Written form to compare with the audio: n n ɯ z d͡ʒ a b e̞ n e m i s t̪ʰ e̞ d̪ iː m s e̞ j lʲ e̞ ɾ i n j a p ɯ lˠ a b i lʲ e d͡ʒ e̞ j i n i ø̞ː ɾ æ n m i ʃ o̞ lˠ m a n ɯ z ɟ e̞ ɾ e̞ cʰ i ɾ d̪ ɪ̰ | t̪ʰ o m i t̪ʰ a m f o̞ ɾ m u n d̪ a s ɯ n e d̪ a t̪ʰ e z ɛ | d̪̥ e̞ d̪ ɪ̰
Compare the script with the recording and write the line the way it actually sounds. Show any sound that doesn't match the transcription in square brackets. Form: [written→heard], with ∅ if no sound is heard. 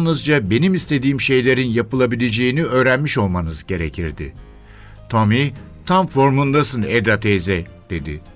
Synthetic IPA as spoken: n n ɯ z d͡ʒ a b e̞ n [e→i] m i s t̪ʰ e̞ d̪ iː m [s→ʃ] e̞ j lʲ e̞ ɾ i n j a p ɯ lˠ a b i lʲ e d͡ʒ e̞ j i n i ø̞ː ɾ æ n m i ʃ o̞ lˠ m a n ɯ z ɟ e̞ ɾ e̞ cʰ i ɾ d̪ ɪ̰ | t̪ʰ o m i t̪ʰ a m f o̞ ɾ m u n d̪ a s ɯ n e d̪ a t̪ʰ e z ɛ | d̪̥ e̞ d̪ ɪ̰